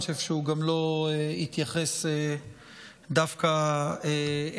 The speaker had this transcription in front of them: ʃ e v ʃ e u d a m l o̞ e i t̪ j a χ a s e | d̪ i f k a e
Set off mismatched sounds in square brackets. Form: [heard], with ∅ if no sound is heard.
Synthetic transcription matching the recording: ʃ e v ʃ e u [ɡ] a m l o̞ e i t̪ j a χ [e] s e | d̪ [a] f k a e